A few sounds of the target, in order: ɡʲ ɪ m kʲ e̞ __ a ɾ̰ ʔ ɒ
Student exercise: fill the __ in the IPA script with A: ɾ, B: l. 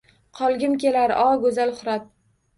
B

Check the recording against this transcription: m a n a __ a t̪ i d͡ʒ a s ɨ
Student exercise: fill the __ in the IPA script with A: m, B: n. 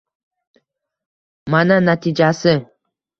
B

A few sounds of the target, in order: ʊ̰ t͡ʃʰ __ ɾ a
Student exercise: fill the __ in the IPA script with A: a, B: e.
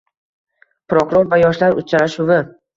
A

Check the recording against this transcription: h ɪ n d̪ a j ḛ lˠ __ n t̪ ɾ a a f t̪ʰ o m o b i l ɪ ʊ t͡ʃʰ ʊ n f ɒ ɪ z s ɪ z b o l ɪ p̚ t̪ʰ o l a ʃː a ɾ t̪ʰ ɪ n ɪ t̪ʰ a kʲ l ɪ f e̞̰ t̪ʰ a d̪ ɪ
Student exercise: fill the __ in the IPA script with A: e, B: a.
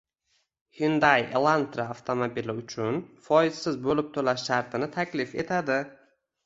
B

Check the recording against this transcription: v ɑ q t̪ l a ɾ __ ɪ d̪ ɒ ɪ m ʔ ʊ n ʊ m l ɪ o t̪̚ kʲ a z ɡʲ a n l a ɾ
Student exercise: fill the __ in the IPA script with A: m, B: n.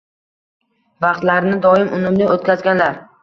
B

